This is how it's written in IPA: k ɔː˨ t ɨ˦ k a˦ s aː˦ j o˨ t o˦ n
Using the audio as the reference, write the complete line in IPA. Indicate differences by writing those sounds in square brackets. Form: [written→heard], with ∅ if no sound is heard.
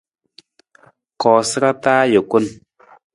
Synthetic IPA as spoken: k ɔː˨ [t→s] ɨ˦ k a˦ [s→t] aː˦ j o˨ [t→k] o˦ n